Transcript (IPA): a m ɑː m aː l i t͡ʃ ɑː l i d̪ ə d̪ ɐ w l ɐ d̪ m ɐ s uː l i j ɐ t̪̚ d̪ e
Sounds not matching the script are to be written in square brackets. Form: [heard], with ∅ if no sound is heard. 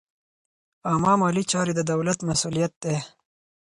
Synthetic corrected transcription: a m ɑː m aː l i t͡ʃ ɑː [ɾ] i d̪ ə d̪ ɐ w l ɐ [t̪] m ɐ s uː l i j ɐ t̪̚ d̪ e